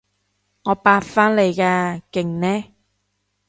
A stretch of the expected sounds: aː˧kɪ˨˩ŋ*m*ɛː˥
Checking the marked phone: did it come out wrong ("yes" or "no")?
yes